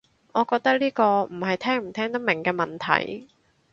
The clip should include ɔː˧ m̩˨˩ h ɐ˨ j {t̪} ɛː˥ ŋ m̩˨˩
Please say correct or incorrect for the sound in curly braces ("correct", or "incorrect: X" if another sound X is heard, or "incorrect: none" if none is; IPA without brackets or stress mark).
incorrect: t̪ʰ